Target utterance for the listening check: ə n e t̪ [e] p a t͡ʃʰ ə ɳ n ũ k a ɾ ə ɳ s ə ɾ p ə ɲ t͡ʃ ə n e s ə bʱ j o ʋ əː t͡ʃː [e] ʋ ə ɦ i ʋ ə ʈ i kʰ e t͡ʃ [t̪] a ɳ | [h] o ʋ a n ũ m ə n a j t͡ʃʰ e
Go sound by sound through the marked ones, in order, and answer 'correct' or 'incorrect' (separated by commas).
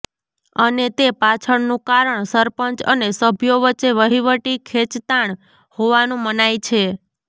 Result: correct, correct, correct, correct